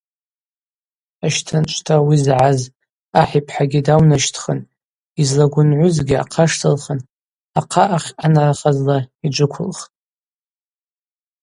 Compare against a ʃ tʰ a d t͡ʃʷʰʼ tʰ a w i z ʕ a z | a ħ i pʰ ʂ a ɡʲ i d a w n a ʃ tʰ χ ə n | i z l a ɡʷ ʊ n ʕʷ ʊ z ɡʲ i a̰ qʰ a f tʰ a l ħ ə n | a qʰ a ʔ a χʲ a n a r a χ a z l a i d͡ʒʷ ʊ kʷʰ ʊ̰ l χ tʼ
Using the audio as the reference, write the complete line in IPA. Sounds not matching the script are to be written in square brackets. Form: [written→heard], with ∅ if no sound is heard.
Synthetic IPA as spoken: a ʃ tʰ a [d→n] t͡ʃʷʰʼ tʰ a w i z ʕ a z | a ħ i pʰ [ʂ→ħ] a ɡʲ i d a w n a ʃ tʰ χ ə n | i z l a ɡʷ ʊ n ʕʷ ʊ z ɡʲ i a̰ qʰ a [f→ʂ] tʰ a l [ħ→χ] ə n | a qʰ a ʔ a χʲ a n a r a χ a z l a i d͡ʒʷ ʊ kʷʰ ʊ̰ l χ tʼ